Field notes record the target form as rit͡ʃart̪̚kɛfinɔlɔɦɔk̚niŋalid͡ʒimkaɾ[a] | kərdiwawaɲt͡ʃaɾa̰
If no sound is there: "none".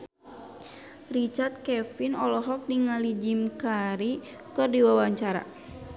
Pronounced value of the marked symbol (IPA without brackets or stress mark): i